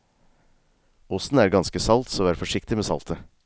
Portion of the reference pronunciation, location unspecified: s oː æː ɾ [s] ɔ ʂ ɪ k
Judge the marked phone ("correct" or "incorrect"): incorrect